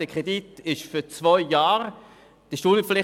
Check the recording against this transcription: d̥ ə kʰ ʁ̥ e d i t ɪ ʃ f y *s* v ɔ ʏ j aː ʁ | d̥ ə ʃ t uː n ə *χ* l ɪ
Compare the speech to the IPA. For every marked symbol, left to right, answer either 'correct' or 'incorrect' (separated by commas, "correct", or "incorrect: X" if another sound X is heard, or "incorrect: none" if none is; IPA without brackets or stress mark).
incorrect: t͡s, incorrect: f